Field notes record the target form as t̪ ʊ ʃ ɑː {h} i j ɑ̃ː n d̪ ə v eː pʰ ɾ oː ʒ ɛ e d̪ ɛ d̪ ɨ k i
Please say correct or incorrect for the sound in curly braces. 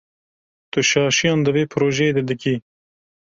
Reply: incorrect